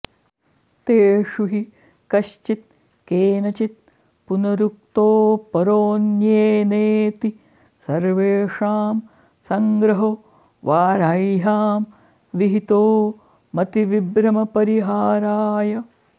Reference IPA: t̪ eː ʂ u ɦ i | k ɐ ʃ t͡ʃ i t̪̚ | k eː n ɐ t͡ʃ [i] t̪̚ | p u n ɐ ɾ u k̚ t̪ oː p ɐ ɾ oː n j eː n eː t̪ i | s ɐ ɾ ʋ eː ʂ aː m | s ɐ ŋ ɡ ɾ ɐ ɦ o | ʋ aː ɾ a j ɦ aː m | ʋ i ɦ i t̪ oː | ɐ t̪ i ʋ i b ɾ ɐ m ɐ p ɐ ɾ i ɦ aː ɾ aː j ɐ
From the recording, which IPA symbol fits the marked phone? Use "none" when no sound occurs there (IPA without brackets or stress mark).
i